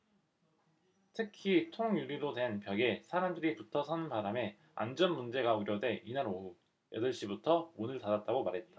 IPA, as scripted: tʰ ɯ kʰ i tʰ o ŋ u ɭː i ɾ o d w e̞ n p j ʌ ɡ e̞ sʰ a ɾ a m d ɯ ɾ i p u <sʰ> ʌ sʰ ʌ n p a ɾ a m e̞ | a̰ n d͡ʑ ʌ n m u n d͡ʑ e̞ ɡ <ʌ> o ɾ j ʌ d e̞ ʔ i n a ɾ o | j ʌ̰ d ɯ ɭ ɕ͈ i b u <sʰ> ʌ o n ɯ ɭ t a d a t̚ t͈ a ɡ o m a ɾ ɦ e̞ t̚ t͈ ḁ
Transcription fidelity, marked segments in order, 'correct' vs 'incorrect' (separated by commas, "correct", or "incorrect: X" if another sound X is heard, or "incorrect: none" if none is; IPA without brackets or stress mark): incorrect: tʰ, incorrect: a, incorrect: tʰ